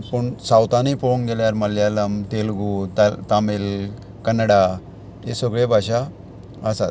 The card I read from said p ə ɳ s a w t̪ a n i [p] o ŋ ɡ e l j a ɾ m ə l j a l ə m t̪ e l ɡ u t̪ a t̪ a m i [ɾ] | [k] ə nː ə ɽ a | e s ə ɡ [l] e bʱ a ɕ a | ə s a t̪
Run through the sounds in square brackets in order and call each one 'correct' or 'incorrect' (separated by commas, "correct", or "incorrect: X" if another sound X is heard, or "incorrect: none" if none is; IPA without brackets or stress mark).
correct, incorrect: l, correct, incorrect: ɭ